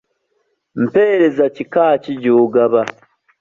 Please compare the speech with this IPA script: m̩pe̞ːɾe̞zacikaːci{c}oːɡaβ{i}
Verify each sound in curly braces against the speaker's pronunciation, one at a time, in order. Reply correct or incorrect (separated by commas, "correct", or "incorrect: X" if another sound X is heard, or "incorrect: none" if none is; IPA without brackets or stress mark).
incorrect: ɟ, incorrect: a